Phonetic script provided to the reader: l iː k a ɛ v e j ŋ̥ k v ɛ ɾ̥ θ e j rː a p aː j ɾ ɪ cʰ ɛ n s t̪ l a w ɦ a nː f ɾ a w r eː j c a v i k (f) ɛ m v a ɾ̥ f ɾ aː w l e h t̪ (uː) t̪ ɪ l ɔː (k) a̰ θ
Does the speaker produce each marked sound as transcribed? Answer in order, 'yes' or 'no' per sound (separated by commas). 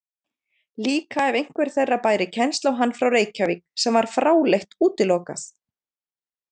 no, yes, yes